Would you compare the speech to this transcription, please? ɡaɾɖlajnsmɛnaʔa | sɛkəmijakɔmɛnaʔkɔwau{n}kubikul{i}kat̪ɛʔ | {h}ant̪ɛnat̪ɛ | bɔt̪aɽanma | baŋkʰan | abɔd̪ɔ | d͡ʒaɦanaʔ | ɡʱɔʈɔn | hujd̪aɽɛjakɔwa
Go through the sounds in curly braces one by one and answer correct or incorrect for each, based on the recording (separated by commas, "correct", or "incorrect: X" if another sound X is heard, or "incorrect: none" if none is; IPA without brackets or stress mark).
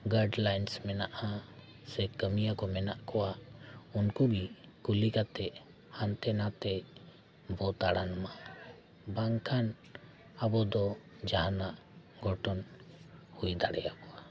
correct, correct, correct